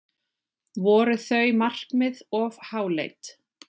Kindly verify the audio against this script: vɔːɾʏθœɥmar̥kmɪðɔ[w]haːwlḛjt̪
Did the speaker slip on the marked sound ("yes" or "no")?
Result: yes